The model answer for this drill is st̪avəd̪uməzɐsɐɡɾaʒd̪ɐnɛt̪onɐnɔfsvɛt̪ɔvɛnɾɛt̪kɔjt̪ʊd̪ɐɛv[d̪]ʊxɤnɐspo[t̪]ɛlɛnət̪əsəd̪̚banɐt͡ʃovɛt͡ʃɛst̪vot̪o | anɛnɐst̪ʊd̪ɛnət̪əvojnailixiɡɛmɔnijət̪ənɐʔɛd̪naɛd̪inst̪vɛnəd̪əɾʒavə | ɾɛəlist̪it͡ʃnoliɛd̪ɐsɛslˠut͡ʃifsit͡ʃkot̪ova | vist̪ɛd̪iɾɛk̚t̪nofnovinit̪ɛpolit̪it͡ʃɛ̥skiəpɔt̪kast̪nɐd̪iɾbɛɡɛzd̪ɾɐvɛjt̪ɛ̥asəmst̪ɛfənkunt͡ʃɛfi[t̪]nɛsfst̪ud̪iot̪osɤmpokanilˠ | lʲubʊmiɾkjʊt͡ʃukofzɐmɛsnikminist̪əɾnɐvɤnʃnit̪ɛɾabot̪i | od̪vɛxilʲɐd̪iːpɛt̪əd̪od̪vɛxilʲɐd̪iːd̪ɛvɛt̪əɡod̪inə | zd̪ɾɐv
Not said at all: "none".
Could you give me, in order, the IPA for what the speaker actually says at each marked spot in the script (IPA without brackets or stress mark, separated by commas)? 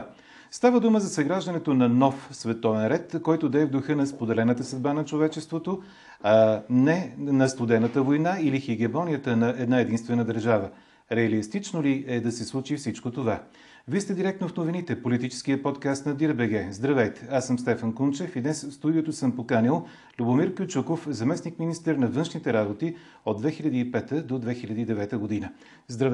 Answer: d̪, d̪, d̪